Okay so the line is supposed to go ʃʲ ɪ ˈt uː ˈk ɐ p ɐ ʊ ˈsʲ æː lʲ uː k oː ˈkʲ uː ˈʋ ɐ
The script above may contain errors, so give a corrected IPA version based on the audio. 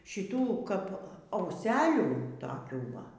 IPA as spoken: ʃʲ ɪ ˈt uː ˈk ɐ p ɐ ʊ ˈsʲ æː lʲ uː t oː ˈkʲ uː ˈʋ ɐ